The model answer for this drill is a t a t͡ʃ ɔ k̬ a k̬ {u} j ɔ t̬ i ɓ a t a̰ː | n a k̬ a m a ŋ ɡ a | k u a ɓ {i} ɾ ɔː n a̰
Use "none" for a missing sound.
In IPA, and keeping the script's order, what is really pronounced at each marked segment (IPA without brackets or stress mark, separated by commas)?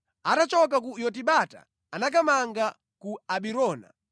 u, i